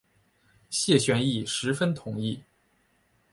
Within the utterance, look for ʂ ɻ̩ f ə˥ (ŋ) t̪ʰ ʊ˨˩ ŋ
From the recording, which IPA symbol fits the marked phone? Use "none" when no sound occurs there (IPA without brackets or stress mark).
n